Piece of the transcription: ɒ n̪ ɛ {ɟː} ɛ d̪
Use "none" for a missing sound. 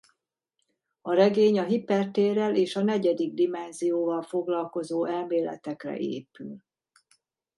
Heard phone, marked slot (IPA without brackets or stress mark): ɟ